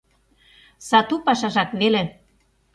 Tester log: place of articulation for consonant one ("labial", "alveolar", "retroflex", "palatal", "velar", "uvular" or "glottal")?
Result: alveolar